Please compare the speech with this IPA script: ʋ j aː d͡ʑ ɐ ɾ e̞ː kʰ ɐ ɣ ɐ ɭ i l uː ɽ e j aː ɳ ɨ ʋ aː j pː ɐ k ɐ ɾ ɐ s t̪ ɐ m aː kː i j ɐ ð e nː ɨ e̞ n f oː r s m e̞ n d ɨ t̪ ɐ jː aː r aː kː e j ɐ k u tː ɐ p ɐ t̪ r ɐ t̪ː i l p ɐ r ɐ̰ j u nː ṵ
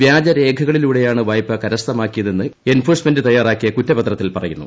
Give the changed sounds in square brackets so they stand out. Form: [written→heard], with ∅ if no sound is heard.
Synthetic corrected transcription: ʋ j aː d͡ʑ ɐ ɾ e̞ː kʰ ɐ ɣ ɐ ɭ i l uː ɽ e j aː ɳ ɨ ʋ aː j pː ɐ k ɐ ɾ ɐ s t̪ ɐ m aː kː i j ɐ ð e nː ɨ e̞ n f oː r s m e̞ n d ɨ t̪ ɐ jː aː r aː kː [e→i] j ɐ k u tː ɐ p ɐ t̪ r ɐ t̪ː i l p ɐ r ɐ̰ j u nː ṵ